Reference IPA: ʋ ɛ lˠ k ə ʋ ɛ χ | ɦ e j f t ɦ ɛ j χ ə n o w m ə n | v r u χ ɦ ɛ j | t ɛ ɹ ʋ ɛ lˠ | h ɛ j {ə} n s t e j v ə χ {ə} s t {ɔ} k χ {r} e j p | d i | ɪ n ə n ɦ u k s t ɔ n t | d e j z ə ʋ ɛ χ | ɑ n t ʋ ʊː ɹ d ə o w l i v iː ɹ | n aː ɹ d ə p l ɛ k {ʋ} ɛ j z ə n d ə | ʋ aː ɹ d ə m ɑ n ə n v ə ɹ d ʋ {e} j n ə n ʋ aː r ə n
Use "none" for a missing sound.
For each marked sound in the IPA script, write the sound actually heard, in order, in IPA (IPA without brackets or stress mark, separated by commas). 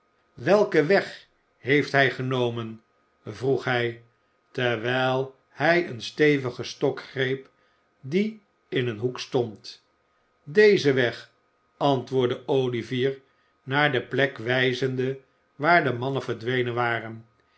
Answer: ə, ə, ɔ, r, ʋ, e